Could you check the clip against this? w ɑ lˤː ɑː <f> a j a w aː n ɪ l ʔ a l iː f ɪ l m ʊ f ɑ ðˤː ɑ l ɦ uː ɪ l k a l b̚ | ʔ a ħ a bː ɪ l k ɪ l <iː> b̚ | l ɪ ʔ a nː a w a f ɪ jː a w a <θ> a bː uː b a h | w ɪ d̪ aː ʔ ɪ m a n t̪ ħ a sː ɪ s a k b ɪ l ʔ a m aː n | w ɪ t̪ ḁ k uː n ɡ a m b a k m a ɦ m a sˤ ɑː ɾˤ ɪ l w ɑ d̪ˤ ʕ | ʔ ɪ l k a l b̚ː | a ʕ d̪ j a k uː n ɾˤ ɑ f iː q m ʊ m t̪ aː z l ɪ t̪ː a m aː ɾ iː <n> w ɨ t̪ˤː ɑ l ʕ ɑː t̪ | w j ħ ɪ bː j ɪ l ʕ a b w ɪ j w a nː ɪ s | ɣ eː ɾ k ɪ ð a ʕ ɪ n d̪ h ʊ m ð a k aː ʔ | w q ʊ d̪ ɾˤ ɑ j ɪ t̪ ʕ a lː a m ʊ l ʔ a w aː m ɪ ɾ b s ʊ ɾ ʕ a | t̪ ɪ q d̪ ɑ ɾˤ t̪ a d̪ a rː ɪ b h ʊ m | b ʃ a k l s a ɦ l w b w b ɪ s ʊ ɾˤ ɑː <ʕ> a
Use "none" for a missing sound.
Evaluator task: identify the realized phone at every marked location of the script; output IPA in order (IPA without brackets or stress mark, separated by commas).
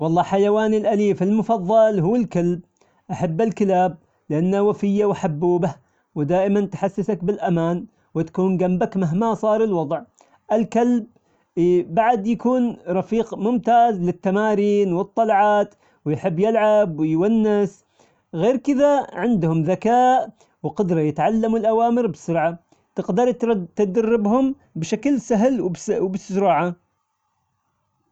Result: ħ, aː, ħ, n, ʕ